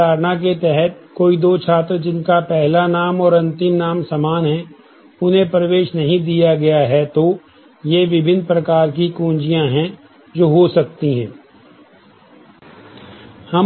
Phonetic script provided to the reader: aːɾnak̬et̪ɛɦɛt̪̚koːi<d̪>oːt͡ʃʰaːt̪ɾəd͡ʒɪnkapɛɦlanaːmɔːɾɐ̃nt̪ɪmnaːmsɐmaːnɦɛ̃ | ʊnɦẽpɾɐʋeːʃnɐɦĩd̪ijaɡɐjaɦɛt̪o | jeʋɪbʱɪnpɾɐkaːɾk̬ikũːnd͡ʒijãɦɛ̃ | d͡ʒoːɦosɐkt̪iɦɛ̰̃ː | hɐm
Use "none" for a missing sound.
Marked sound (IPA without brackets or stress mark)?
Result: d̪